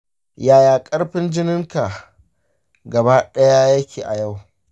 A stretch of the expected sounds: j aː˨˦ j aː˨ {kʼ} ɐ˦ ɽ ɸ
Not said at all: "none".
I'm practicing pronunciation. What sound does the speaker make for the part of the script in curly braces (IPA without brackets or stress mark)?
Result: kʼ